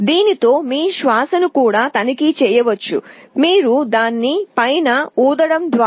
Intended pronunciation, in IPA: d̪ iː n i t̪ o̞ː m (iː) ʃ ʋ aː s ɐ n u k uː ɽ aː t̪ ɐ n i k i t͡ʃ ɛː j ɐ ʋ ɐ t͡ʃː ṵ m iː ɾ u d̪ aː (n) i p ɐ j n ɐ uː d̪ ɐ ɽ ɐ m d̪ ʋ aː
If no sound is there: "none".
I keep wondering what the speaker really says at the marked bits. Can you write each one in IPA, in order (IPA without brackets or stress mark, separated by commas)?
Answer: iː, nː